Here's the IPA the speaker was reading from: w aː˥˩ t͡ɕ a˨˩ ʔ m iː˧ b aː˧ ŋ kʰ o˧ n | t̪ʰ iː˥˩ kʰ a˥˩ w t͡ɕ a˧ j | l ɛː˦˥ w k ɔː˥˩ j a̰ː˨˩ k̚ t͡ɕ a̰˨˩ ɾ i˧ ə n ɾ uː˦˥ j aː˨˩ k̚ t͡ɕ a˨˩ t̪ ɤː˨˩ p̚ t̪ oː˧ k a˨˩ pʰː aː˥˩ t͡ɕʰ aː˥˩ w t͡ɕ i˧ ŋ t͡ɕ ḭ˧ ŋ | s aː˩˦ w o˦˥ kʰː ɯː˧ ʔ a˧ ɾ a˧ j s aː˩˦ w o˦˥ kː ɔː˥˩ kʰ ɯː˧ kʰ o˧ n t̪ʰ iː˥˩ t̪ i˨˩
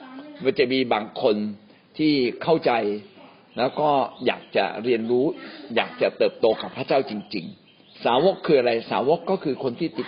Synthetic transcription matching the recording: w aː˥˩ t͡ɕ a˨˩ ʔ m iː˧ b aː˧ ŋ kʰ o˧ n | t̪ʰ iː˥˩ kʰ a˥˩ w t͡ɕ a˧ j | l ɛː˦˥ w k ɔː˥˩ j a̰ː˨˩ k̚ t͡ɕ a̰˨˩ ɾ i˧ ə n ɾ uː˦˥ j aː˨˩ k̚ t͡ɕ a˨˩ t̪ ɤː˨˩ p̚ t̪ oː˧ k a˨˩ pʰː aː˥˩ t͡ɕ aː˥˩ w t͡ɕ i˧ ŋ t͡ɕ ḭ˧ ŋ | s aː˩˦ w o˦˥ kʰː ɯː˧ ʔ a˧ ɾ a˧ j s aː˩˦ w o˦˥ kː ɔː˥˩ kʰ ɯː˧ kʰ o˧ n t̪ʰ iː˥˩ t̪ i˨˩